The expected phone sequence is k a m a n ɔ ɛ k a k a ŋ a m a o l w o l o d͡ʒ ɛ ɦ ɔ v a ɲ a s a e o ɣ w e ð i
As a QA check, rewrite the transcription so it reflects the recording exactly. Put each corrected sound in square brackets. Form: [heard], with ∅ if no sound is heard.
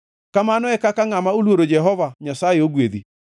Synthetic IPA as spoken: k a m a n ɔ ɛ k a k a ŋ a m a o l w o [ɾ] o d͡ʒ ɛ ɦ ɔ v a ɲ a s a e o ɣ w e ð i

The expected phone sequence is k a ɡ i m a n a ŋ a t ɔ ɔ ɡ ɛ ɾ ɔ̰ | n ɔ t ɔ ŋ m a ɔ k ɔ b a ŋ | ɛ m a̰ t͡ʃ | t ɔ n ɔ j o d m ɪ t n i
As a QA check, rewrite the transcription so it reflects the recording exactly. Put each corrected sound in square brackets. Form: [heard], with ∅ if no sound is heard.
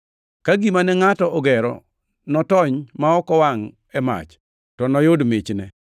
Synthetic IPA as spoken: k a ɡ i m a n [ɛ] ŋ a t ɔ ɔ ɡ ɛ ɾ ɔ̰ | n ɔ t ɔ [ɲ] m a ɔ k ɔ [w] a ŋ | ɛ m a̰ t͡ʃ | t ɔ n ɔ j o d m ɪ [t͡ʃ] n [ɛ]

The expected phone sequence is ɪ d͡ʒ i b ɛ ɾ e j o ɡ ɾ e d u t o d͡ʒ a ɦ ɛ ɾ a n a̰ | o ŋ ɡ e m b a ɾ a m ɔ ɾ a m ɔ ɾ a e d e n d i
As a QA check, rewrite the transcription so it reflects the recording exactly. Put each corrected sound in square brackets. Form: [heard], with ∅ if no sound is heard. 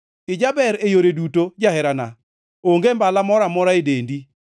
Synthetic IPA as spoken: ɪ d͡ʒ [a] b ɛ ɾ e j o [∅] ɾ e d u t o d͡ʒ a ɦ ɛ ɾ a n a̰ | o ŋ ɡ e m b a [l] a m ɔ ɾ a m ɔ ɾ a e d e n d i

